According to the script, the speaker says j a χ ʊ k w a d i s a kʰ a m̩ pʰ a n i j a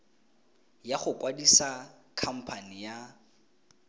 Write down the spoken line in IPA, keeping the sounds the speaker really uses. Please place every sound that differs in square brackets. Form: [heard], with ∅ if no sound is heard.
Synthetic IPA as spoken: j a χ ʊ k w a d i s a kʰ a m̩ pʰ a n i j a

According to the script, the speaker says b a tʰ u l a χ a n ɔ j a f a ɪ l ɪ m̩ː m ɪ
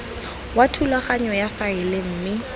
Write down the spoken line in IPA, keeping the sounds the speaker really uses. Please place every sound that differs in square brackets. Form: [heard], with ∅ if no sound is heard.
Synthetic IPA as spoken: [w] a tʰ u l a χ a [ɲ] ɔ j a f a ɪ l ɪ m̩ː m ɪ

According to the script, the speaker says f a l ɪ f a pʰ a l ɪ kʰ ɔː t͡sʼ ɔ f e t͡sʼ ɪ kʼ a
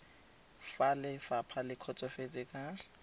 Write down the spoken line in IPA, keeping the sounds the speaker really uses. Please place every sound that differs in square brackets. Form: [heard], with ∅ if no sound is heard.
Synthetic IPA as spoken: f a l ɪ f a pʰ a l ɪ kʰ [ɔ] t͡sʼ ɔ f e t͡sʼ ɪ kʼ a

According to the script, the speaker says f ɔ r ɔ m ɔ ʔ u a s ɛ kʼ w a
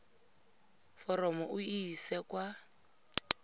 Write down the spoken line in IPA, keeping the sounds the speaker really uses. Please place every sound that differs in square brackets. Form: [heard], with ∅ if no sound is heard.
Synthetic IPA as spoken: f ɔ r ɔ m ɔ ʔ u [i] s ɛ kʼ w a

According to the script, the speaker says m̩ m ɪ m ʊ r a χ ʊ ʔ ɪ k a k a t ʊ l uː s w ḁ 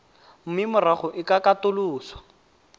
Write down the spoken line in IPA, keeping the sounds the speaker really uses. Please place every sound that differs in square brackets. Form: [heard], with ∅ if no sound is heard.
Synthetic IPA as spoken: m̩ m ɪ m ʊ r a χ ʊ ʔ ɪ k a k a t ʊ l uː s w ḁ

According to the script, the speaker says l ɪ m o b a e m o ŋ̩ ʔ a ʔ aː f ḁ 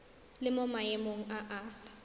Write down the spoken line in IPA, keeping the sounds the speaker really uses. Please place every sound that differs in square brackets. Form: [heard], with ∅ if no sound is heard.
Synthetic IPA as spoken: l ɪ m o [m] a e m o ŋ̩ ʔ a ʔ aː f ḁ

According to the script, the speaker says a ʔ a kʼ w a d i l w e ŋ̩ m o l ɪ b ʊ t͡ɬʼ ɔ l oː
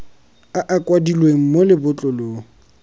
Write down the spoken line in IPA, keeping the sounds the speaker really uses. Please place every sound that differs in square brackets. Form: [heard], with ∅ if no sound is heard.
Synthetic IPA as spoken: a ʔ a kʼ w a d i l w e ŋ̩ m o l ɪ b ʊ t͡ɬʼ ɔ l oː

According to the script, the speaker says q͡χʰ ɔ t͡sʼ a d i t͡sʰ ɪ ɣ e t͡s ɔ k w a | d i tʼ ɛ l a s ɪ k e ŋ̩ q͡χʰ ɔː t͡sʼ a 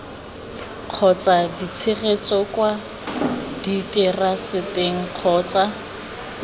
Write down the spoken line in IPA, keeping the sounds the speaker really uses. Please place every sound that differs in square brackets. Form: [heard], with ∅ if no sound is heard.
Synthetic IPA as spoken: q͡χʰ ɔ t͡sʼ a d i t͡sʰ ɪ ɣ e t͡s ɔ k w a | d i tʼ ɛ [r] a s ɪ [t] e ŋ̩ q͡χʰ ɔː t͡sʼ a

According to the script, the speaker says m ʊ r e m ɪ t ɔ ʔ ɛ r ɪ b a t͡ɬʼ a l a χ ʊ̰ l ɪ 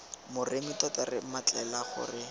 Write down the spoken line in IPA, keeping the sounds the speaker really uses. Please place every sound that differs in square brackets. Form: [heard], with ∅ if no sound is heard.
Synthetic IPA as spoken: m ʊ r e m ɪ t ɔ [t] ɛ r ɪ [m] a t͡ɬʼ [ɛ] l a χ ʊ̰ [r] ɪ

